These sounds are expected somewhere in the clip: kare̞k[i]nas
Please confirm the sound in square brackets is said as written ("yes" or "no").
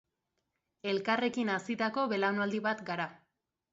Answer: yes